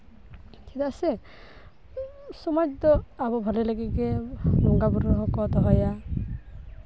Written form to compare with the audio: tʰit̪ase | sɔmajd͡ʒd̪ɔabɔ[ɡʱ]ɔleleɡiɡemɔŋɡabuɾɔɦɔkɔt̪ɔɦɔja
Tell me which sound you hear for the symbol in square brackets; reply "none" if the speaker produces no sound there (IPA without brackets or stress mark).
bʱ